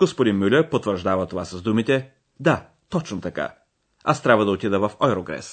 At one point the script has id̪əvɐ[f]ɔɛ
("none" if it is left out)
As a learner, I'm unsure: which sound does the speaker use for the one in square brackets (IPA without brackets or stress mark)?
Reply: f